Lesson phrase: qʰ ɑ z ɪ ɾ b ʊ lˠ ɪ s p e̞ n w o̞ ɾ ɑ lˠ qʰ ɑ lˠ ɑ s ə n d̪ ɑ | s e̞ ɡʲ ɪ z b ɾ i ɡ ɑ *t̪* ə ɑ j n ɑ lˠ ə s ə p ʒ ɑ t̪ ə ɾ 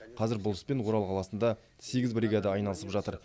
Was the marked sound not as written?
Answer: yes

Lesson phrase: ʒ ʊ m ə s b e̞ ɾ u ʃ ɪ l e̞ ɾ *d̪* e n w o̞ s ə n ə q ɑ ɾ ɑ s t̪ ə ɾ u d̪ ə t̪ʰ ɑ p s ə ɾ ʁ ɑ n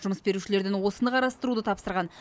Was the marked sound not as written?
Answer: no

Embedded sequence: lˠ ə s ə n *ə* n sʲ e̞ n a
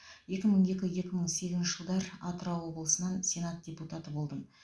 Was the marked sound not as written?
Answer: yes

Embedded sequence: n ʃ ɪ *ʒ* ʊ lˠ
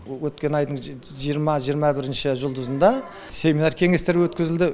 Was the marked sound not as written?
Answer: no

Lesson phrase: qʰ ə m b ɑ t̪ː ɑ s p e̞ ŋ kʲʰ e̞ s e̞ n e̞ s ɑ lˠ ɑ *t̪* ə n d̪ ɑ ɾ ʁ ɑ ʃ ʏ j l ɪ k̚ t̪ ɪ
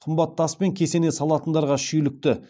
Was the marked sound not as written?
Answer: no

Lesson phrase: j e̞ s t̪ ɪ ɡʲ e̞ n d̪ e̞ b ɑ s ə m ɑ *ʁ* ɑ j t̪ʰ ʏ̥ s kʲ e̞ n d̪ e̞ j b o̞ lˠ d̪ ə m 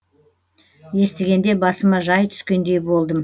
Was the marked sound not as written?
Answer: yes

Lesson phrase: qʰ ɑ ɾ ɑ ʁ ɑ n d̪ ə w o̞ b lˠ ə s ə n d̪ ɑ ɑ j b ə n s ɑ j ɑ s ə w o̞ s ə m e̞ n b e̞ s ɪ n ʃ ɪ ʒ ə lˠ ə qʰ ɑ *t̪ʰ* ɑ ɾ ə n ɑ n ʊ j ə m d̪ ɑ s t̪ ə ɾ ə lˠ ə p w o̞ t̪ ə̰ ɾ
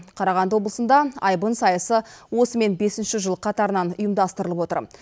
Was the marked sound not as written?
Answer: yes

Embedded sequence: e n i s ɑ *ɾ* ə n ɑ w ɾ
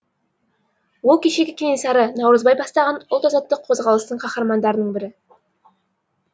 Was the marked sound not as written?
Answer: no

